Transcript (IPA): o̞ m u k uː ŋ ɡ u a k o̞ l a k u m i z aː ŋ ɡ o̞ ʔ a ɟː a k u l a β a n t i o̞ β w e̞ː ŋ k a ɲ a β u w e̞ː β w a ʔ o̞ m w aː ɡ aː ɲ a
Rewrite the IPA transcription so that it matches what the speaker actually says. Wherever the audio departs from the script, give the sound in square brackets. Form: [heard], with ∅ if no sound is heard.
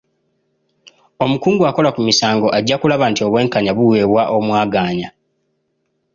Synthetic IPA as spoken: o̞ m u k uː ŋ ɡ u a k o̞ l a k u m i [s] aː ŋ ɡ o̞ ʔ a ɟː a k u l a β a n t i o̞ β w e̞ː ŋ k a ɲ a β u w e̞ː β w a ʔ o̞ m w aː ɡ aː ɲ a